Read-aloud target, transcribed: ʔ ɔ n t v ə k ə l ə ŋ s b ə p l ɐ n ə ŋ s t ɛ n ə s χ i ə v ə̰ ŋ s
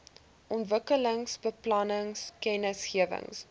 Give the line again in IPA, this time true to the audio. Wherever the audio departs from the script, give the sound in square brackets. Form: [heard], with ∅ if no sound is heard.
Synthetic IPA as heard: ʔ ɔ n t v ə k ə l ə ŋ s b ə p l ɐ n ə ŋ s [k] ɛ n ə s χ i ə v ə̰ ŋ s